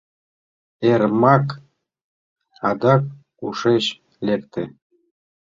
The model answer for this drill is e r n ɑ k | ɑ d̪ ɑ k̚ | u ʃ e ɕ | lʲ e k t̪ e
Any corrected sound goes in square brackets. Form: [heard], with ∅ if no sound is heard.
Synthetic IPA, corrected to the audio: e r [m] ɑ k | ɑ d̪ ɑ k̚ | u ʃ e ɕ | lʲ e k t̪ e

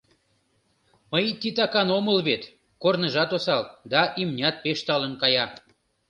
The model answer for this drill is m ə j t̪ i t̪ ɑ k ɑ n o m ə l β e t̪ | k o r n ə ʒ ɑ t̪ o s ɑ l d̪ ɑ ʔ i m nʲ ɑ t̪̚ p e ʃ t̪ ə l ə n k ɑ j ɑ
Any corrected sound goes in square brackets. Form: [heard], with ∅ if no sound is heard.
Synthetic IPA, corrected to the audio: m ə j t̪ i t̪ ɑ k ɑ n o m ə l β e t̪ | k o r n ə ʒ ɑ t̪ o s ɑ l d̪ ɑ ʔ i m nʲ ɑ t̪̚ p e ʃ t̪ [ɑ] l ə n k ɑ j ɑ

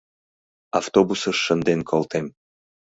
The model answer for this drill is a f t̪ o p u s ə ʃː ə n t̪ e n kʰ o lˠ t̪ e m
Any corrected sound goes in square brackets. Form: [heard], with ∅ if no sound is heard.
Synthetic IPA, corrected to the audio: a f t̪ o [b] u s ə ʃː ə n [d̪] e n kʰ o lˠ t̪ e m

